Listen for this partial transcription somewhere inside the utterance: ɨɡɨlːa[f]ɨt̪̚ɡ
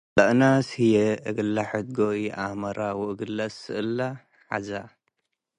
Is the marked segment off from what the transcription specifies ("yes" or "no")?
yes